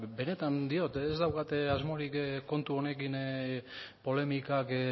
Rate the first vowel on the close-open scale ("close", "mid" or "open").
mid